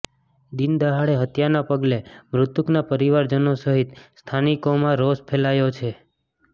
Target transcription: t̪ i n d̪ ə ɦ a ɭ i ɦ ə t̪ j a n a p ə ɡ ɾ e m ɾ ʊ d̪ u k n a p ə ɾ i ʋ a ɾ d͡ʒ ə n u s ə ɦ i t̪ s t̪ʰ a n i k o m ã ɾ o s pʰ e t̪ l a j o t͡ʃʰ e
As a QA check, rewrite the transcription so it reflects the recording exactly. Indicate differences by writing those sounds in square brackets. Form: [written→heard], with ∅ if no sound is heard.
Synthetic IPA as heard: [t̪→d̪] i n d̪ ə ɦ a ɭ [i→e] ɦ ə t̪ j a n a p ə ɡ [ɾ→l] e m ɾ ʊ [d̪→t̪] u k n a p ə ɾ i ʋ a ɾ d͡ʒ ə n [u→o] s ə ɦ i t̪ s t̪ʰ a n i k o m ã ɾ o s pʰ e [t̪→∅] l a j o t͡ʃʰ e